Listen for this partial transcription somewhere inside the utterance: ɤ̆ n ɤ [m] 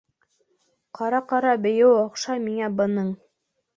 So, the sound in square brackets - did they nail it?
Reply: no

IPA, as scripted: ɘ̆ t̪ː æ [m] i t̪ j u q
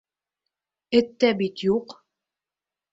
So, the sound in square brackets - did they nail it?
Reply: no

